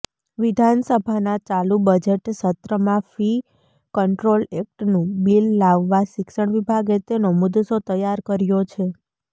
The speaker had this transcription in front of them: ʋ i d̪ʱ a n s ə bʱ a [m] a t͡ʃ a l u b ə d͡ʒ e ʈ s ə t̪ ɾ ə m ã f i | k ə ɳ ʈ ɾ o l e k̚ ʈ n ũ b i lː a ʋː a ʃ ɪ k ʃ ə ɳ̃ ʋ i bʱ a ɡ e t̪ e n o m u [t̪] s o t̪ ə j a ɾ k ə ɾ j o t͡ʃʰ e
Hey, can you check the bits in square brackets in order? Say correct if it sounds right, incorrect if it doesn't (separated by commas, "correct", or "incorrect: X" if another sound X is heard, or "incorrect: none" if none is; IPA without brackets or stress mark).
incorrect: n, incorrect: d̪